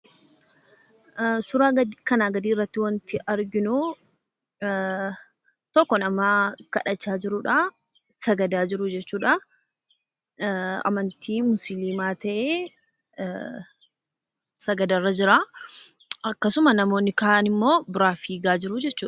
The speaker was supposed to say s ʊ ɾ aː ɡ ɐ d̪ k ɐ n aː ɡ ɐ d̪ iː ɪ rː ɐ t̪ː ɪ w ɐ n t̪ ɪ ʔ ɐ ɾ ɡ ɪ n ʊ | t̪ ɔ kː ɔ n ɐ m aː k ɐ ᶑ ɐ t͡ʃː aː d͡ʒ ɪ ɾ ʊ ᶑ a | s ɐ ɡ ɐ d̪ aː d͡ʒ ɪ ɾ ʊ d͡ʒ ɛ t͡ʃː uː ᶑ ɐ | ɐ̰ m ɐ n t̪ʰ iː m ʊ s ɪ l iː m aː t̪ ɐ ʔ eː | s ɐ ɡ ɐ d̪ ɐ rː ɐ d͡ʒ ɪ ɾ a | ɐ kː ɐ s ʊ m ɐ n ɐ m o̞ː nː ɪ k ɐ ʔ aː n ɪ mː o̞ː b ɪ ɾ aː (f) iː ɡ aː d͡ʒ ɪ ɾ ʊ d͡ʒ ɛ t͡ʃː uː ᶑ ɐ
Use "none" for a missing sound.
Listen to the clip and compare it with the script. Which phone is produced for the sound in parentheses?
f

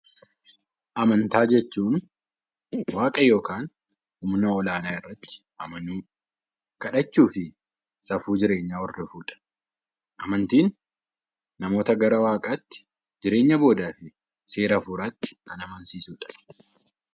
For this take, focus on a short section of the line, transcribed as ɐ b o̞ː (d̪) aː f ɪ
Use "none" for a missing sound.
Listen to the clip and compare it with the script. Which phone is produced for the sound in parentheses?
d̪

